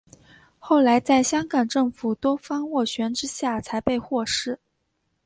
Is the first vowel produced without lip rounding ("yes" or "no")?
no